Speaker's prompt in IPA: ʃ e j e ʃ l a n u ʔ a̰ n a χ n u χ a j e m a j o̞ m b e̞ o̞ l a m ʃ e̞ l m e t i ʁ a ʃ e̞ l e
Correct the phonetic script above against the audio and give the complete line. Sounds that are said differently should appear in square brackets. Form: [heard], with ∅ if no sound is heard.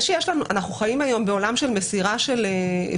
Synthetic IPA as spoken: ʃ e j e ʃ l a n u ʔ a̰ n a χ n u χ a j [i] m a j o̞ m b e̞ o̞ l a m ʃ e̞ l m e [s] i ʁ a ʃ e̞ l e